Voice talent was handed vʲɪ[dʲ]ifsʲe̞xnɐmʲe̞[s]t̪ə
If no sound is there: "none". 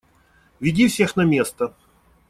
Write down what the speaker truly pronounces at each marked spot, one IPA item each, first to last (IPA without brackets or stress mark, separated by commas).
dʲ, s